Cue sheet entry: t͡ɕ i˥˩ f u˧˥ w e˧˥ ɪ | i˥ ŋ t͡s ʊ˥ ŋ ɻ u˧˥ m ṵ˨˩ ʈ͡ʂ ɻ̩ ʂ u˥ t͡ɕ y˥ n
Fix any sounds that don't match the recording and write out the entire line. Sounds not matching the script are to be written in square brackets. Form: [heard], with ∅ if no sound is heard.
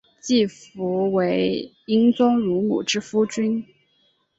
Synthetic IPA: t͡ɕ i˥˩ f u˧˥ w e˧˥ ɪ | i˥ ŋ t͡s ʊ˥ ŋ ɻ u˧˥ m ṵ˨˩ ʈ͡ʂ ɻ̩ [f] u˥ t͡ɕ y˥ n